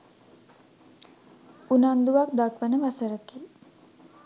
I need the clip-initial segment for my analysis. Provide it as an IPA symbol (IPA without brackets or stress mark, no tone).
u